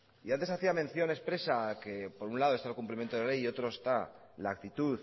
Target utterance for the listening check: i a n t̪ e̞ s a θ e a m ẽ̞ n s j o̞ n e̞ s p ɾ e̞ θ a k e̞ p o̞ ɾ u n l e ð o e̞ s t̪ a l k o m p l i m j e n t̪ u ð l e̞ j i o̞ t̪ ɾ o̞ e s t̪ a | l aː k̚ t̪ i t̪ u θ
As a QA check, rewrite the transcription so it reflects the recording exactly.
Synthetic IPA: i a n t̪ e̞ s a θ i a m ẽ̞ n θ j o̞ n e̞ s p ɾ e̞ s a k e̞ p o̞ ɾ u n l a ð o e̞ s t̪ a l k u m p l i m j e n t̪ o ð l e̞ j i o̞ t̪ ɾ o̞ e s t̪ a | l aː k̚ t̪ i t̪ u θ